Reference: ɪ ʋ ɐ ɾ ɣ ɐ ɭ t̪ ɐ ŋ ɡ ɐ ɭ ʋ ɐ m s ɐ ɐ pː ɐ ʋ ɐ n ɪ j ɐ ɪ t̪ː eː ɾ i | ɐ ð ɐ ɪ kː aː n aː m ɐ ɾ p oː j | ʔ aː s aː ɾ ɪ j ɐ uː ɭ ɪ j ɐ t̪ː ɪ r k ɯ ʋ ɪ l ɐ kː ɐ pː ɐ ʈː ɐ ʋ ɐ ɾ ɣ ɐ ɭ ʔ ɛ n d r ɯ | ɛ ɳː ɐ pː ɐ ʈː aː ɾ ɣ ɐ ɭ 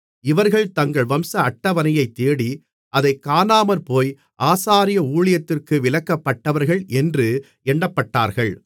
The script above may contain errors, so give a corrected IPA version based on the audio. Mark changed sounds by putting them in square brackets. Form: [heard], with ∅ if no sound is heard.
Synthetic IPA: ɪ ʋ ɐ ɾ ɣ ɐ ɭ t̪ ɐ ŋ ɡ ɐ ɭ ʋ ɐ m s ɐ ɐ [ʈː] ɐ ʋ ɐ n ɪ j ɐ ɪ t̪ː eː [ɽ] i | ɐ ð ɐ ɪ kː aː n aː m ɐ ɾ p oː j | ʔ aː s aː ɾ ɪ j ɐ uː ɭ ɪ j ɐ t̪ː ɪ r k ɯ ʋ ɪ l ɐ kː ɐ pː ɐ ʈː ɐ ʋ ɐ ɾ ɣ ɐ ɭ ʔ ɛ n d r ɯ | ɛ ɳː ɐ pː ɐ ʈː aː ɾ ɣ ɐ ɭ